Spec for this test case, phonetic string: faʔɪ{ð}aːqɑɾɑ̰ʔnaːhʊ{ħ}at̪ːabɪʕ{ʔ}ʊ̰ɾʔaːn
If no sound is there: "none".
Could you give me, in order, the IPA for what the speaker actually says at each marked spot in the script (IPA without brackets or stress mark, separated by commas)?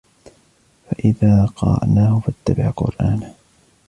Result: ð, f, q